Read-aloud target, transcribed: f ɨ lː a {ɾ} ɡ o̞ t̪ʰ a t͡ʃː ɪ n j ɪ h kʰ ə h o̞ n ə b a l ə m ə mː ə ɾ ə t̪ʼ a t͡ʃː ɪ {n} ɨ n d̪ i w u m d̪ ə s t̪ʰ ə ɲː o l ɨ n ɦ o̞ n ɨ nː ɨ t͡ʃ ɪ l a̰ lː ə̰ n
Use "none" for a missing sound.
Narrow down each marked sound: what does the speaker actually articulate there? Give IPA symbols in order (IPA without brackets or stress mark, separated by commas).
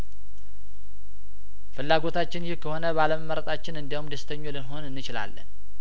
none, n